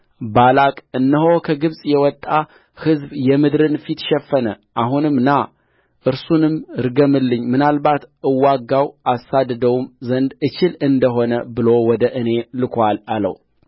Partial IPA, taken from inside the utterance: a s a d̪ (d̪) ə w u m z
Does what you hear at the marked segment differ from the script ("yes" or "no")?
no